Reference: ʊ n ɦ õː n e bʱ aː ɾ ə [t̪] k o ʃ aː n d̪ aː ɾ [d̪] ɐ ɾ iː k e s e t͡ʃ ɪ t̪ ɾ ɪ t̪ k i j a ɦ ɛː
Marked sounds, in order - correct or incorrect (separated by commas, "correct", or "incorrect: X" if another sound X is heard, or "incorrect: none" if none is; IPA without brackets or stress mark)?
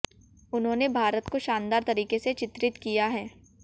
correct, incorrect: t̪